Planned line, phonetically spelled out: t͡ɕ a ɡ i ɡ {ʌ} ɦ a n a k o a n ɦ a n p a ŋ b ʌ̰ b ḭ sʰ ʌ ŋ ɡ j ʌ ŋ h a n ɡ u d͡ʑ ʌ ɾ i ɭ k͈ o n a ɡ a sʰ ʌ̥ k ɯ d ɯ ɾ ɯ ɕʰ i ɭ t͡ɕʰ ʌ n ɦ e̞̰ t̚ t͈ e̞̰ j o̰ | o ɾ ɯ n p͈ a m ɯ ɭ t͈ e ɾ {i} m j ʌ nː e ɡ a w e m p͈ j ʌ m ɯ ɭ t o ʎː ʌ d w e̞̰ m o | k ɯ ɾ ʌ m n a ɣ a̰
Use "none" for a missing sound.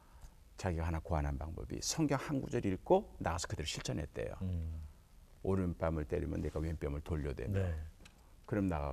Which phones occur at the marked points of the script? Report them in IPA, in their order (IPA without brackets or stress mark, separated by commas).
a, i